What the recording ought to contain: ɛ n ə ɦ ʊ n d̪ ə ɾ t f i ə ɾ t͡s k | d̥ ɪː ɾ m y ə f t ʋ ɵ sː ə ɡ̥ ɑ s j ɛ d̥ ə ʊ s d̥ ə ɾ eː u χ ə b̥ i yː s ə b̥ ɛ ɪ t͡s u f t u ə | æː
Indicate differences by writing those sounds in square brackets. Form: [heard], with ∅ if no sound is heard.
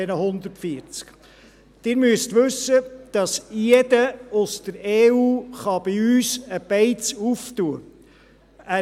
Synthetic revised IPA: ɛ n ə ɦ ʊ n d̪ ə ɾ t f i ə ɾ t͡s k | d̥ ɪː ɾ m y ə [s] t ʋ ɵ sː ə [d̥] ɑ s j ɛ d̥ ə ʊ s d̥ ə ɾ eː [uː] χ [ɑ] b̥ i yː s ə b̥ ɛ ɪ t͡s u f t u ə | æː